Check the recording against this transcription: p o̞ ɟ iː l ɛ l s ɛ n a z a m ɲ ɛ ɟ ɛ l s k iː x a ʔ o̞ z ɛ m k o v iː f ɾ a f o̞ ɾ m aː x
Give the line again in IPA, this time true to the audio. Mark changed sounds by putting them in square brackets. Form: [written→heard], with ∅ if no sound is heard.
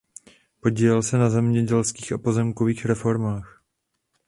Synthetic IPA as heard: p o̞ ɟ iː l ɛ l s ɛ n a z [a→ɛ] m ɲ ɛ ɟ ɛ l s k iː x a [ʔ→p] o̞ z ɛ m k o v iː [f→x] ɾ [a→ɛ] f o̞ ɾ m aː x